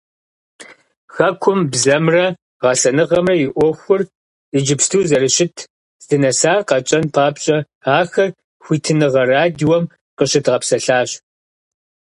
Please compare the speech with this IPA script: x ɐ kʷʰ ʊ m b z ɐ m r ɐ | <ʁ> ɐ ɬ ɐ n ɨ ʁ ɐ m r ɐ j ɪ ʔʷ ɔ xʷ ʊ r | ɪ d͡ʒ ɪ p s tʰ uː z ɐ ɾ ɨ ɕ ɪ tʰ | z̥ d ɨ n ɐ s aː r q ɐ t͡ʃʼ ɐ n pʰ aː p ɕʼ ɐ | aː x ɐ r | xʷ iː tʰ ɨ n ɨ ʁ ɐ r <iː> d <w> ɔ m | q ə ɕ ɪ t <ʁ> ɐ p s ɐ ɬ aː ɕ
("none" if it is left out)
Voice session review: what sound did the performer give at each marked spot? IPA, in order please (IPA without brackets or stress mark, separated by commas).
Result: ʁ, aː, w, ʁ